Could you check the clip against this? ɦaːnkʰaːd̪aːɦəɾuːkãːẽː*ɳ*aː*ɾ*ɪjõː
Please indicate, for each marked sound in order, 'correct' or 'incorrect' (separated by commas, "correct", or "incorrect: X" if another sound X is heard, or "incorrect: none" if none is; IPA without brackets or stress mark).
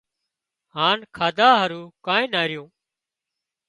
incorrect: n, correct